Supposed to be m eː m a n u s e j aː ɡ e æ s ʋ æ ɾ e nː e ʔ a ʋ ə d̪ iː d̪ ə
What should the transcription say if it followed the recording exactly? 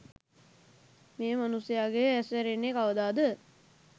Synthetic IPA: m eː m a n u s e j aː ɡ e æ s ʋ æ ɾ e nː e k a ʋ ə d̪ aː d̪ ə